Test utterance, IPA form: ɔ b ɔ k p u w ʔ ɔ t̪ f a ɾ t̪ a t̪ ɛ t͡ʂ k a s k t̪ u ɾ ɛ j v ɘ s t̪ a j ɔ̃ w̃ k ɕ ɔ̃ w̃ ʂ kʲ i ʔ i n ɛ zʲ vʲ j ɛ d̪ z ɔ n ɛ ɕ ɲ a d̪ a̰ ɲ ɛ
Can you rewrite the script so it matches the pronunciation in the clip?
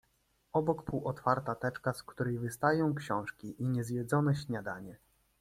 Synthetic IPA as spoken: ɔ b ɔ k p u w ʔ ɔ t̪ f a ɾ t̪ a t̪ ɛ t͡ʂ k a s k t̪ u ɾ ɛ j v ɘ s t̪ a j ɔ̃ w̃ k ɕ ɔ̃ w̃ ʂ kʲ i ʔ i ɲ ɛ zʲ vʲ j ɛ d̪ z ɔ n ɛ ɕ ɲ a d̪ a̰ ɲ ɛ